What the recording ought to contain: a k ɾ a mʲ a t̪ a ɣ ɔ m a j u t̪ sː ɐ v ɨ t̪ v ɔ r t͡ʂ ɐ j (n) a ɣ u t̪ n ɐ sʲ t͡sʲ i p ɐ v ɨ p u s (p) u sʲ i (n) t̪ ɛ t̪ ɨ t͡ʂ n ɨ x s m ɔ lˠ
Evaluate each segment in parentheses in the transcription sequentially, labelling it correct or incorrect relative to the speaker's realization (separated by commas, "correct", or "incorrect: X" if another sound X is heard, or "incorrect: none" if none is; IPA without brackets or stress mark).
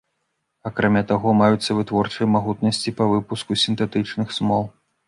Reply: incorrect: m, incorrect: k, correct